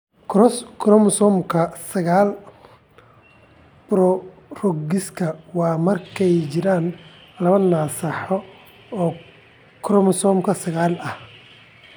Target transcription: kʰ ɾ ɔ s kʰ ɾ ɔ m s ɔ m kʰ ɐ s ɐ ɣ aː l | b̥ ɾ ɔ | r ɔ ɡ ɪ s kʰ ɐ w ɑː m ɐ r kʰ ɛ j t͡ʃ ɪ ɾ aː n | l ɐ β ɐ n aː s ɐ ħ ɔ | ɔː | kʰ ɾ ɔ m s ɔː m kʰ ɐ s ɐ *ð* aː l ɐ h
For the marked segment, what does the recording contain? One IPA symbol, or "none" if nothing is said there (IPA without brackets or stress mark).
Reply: ɣ